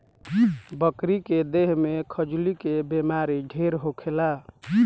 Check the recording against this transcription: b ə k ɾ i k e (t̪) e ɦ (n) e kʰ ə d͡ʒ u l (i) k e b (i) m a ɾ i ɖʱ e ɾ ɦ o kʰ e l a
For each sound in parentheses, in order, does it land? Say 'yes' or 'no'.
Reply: no, no, yes, no

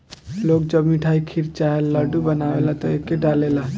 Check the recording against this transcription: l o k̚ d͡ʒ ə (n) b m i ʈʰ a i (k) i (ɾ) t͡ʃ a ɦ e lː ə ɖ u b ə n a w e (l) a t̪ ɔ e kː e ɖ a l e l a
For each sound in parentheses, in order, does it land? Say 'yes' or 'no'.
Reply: no, no, yes, yes

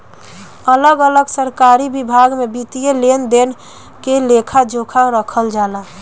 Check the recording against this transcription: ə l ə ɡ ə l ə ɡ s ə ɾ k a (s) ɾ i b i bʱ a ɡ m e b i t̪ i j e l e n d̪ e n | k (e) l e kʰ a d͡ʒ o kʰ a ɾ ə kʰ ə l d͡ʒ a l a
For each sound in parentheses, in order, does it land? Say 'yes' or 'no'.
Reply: no, yes

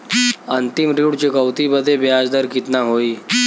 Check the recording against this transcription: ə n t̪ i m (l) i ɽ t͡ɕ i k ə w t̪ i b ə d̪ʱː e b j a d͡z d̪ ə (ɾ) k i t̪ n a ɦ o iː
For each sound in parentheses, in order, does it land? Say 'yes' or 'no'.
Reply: no, yes

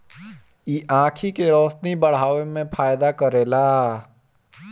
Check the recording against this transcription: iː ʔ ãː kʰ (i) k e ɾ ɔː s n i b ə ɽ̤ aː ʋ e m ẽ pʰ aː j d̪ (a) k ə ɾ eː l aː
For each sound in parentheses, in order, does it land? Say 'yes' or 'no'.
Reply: yes, yes

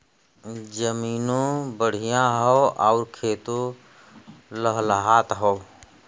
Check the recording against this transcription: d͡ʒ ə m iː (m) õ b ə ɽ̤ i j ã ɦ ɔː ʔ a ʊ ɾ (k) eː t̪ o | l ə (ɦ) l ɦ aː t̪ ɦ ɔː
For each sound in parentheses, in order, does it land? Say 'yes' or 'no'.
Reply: no, no, yes

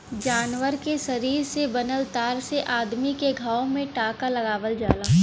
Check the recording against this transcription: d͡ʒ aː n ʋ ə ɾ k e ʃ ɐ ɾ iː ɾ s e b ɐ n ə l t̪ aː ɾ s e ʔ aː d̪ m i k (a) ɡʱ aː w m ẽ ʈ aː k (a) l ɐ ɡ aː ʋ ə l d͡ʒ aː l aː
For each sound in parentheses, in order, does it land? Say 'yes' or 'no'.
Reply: no, yes

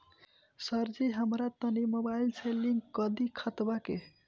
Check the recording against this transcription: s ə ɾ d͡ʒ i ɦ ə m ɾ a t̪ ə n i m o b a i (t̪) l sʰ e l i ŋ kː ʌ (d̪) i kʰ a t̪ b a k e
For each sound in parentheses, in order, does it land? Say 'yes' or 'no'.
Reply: no, yes

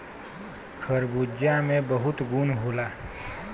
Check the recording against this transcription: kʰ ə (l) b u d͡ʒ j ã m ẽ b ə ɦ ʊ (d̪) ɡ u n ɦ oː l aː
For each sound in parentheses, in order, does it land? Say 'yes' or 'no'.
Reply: no, no

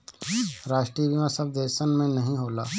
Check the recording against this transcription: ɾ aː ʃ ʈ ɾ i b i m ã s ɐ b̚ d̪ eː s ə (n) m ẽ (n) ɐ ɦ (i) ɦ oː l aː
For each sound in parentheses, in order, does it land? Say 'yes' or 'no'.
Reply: yes, yes, no

